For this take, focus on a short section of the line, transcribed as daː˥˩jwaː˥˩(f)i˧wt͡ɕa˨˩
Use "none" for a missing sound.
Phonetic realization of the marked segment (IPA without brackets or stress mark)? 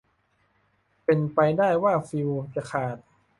f